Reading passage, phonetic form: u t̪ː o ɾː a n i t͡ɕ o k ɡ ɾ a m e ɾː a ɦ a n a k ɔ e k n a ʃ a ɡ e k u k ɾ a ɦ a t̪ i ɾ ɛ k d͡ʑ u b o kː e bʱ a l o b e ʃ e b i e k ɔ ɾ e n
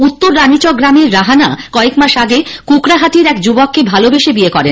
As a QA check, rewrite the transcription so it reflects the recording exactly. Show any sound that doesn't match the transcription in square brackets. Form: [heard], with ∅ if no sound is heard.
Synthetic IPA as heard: u t̪ː o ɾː a n i t͡ɕ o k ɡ ɾ a m e ɾː a ɦ a n a k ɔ e k [m] a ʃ a ɡ e k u k ɾ a ɦ a t̪ i ɾ ɛ k d͡ʑ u b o kː e bʱ a l o b e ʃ e b i e k ɔ ɾ e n